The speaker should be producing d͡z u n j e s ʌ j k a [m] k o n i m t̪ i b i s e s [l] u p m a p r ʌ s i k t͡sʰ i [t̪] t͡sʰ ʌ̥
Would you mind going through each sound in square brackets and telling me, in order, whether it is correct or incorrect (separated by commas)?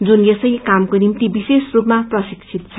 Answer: correct, incorrect, correct